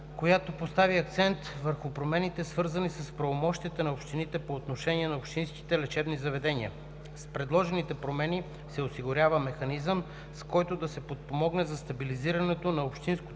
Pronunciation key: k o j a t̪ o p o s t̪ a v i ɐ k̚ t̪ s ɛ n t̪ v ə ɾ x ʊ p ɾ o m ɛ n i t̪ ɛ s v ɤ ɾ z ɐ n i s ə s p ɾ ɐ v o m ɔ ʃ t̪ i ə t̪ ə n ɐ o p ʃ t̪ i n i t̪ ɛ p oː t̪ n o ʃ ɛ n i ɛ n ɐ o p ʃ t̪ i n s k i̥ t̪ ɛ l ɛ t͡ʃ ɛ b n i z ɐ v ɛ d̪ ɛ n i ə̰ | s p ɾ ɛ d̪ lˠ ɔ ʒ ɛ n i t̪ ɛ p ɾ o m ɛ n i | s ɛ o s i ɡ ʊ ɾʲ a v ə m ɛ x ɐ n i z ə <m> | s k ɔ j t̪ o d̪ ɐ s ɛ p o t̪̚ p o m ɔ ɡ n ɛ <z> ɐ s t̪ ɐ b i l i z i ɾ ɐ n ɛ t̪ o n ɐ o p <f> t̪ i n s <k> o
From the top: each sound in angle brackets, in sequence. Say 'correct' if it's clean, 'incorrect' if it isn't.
correct, correct, incorrect: ʃ, correct

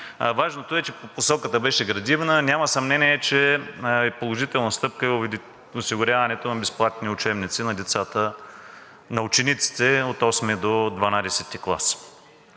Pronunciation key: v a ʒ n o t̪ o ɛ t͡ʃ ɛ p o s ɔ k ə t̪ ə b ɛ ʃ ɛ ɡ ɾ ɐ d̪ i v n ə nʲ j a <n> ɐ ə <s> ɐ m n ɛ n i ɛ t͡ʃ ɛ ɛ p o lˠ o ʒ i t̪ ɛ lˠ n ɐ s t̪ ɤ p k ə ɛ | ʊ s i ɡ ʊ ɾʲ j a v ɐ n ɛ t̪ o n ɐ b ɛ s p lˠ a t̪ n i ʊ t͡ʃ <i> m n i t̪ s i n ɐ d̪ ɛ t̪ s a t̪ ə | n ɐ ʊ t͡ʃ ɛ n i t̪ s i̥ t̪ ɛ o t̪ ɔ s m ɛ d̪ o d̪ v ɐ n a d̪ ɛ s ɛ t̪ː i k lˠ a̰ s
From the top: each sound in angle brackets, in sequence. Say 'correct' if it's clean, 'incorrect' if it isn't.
incorrect: m, correct, incorrect: ɛ

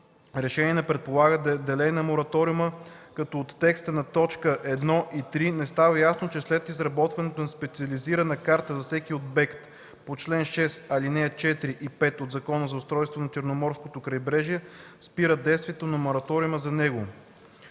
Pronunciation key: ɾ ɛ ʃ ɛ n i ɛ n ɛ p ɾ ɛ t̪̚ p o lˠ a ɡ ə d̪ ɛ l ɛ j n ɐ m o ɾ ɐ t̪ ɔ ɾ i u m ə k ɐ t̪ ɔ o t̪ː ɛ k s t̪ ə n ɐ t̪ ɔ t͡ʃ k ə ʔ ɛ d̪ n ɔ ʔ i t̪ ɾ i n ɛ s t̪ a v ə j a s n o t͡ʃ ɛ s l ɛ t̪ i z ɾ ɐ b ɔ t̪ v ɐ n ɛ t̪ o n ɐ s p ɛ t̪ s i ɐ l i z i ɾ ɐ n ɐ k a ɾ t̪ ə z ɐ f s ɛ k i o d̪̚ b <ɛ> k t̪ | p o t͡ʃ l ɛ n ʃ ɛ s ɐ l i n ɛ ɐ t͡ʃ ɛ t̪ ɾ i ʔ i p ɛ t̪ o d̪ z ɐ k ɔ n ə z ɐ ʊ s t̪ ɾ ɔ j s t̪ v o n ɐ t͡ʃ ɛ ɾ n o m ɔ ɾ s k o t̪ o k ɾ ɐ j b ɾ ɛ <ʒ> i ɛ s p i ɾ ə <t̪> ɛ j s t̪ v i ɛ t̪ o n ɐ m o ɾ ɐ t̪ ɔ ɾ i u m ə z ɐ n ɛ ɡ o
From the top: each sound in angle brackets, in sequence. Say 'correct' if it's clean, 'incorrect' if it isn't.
correct, correct, incorrect: d̪

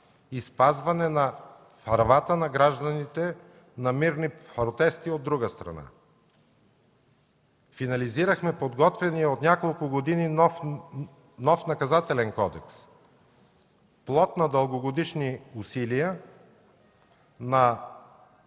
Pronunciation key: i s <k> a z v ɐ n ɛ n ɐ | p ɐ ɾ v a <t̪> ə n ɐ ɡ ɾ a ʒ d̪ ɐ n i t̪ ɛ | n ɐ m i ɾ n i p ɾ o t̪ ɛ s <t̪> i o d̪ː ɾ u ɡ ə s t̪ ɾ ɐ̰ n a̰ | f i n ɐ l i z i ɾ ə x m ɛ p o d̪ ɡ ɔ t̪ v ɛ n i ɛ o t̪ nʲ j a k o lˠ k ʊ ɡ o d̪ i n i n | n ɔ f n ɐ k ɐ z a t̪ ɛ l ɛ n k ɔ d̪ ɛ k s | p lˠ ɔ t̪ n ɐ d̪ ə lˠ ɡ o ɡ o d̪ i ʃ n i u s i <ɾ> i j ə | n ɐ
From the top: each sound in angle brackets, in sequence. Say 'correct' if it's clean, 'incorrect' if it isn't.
incorrect: p, correct, correct, incorrect: l

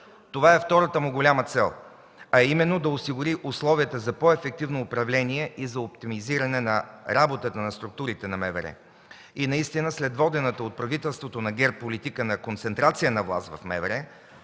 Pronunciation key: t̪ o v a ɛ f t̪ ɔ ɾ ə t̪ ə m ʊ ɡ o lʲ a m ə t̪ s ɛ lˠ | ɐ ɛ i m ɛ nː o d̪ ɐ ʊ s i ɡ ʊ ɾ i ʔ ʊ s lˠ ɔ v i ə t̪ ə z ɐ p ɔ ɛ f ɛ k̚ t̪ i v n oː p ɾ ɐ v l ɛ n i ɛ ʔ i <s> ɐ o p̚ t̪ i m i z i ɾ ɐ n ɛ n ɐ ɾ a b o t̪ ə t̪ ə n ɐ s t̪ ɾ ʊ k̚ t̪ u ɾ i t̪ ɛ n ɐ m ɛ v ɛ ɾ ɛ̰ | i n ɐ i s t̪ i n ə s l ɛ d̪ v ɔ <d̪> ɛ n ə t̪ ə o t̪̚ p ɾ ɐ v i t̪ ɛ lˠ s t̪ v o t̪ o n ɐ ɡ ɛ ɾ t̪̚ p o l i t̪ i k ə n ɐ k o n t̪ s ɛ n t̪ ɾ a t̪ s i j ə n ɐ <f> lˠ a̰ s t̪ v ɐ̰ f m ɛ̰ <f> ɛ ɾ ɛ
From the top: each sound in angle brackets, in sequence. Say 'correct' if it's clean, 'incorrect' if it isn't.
incorrect: z, correct, incorrect: v, incorrect: v

